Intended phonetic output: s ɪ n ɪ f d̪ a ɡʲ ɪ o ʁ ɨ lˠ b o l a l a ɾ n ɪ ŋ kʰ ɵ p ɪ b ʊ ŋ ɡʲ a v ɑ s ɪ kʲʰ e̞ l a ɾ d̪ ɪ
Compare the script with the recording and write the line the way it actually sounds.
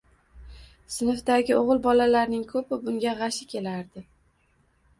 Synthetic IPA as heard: s ɪ n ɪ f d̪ a ɡʲ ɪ o ʁ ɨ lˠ b ɒ l a l a ɾ n ɪ ŋ kʰ ɵ p ɪ b ʊ ŋ ɡʲ a ʁ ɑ ʃ ɪ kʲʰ e̞ l a ɾ d̪ ɪ